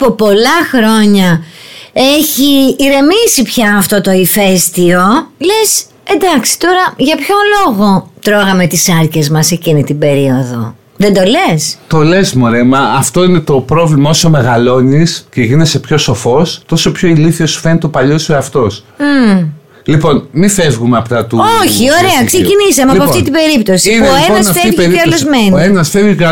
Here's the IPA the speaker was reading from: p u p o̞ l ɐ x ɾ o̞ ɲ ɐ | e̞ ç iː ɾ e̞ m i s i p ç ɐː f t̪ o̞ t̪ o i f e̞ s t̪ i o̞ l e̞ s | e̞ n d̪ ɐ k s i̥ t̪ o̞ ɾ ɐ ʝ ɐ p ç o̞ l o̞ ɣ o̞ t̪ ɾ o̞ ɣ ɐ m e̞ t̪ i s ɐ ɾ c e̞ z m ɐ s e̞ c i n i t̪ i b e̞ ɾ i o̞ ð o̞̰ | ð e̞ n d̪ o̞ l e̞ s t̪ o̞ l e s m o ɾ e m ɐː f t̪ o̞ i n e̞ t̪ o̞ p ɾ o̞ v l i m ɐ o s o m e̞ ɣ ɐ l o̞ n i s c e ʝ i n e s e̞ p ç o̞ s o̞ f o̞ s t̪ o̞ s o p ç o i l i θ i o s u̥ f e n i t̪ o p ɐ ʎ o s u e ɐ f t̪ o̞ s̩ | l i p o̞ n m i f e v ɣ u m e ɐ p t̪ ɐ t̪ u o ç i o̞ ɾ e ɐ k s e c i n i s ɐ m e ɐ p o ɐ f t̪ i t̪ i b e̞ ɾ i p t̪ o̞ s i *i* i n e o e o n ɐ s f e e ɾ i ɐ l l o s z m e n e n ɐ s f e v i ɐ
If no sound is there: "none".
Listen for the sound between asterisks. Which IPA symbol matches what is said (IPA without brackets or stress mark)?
i